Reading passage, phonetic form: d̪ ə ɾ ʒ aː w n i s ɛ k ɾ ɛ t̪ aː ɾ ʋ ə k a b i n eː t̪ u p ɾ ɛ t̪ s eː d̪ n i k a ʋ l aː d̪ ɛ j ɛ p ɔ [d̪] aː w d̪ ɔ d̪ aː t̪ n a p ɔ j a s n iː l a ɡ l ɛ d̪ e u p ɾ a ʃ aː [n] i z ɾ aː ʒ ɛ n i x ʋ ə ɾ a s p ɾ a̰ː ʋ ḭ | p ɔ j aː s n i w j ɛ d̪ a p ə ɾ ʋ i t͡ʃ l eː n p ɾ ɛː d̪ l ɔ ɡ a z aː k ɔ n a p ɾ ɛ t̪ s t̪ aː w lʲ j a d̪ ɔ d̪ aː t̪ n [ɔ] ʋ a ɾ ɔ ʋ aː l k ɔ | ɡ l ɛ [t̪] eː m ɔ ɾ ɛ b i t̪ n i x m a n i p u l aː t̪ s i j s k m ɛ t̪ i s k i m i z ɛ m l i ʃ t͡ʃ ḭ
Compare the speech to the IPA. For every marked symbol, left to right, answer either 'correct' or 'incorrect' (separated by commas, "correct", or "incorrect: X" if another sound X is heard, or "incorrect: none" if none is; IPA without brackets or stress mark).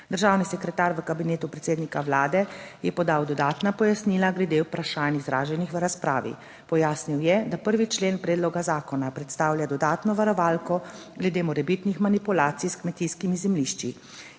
correct, correct, correct, incorrect: d̪